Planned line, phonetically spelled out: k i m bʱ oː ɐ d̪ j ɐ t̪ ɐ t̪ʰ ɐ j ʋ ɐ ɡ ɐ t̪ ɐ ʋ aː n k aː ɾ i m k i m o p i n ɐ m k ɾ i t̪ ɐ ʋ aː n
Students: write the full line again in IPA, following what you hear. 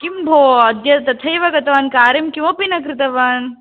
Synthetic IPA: k i m bʱ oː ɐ d̪ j ɐ t̪ ɐ t̪ʰ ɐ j ʋ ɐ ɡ ɐ t̪ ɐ ʋ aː n k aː ɾ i m k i m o p i n ɐ k ɾ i t̪ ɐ ʋ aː n